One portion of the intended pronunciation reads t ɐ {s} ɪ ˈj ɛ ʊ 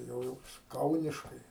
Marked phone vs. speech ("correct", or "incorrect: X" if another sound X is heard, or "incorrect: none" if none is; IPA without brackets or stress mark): incorrect: none